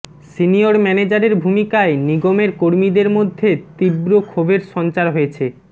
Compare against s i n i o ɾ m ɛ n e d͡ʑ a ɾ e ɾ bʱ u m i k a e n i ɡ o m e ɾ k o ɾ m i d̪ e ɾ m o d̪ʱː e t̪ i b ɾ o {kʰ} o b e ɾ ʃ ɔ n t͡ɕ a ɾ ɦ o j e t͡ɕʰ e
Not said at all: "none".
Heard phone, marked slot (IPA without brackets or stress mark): kʰ